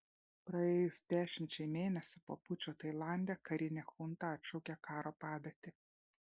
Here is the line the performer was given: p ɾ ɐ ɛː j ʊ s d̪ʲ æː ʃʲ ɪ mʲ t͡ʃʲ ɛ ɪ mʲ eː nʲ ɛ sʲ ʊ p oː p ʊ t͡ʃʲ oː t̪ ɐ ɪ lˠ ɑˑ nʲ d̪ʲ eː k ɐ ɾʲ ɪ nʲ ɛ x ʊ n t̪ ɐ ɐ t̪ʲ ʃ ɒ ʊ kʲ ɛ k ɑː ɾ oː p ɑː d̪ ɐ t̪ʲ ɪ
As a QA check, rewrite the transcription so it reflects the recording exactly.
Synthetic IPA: p ɾ ɐ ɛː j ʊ s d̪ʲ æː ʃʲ ɪ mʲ t͡ʃʲ ɛ ɪ mʲ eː nʲ ɛ sʲ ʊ p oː p ʊ t͡ʃʲ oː t̪ ɐ ɪ lˠ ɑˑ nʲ d̪ʲ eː k ɐ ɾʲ ɪ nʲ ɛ x ʊ n t̪ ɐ ɐ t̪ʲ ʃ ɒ ʊ kʲ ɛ k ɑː ɾ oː p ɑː d̪ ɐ t̪ʲ ɪ